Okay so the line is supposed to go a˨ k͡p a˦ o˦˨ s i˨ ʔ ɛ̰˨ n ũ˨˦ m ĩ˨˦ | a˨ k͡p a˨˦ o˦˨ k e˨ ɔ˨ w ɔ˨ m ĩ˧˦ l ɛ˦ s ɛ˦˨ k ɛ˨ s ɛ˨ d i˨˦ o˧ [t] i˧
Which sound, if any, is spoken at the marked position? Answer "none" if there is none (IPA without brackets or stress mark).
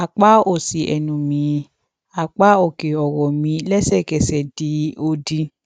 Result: d